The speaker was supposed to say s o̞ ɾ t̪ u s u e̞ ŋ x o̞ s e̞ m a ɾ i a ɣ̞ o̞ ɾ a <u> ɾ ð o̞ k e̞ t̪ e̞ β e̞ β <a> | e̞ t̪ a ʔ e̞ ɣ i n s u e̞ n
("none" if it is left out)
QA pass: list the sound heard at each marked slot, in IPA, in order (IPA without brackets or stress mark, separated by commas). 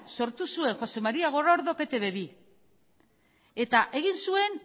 o, i